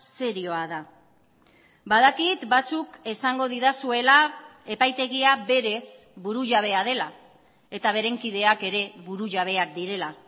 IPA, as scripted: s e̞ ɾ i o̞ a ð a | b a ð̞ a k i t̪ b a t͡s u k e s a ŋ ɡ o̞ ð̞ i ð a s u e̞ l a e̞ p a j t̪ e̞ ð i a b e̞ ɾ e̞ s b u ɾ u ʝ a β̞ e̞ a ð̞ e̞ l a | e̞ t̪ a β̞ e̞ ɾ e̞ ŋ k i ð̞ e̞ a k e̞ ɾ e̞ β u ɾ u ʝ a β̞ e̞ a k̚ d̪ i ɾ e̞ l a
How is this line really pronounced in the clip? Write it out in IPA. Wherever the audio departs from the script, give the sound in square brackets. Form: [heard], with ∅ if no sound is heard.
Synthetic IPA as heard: s e̞ ɾ i o̞ a ð a | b a ð̞ a k i t̪ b a t͡s u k e s a ŋ ɡ o̞ ð̞ i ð a s u e̞ l a e̞ p a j t̪ e̞ [ɣ] i a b e̞ ɾ e̞ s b u ɾ u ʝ a β̞ e̞ a ð̞ e̞ l a | e̞ t̪ a β̞ e̞ ɾ e̞ ŋ k i ð̞ e̞ a k e̞ ɾ e̞ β u ɾ u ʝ a β̞ e̞ a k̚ d̪ i ɾ e̞ l a